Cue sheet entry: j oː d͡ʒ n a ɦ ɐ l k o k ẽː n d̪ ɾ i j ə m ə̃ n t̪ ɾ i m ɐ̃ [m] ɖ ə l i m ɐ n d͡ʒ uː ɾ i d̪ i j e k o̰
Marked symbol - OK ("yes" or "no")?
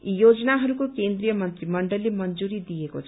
no